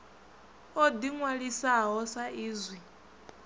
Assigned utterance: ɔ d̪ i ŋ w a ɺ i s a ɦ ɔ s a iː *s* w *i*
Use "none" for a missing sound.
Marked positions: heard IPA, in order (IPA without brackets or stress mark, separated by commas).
z, i